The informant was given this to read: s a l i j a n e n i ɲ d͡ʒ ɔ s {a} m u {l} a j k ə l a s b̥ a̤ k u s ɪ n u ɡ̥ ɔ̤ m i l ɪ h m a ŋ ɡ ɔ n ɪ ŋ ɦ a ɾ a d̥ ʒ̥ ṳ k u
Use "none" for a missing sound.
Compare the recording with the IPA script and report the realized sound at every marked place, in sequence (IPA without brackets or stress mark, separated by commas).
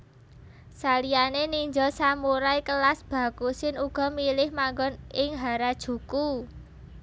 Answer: a, ɾ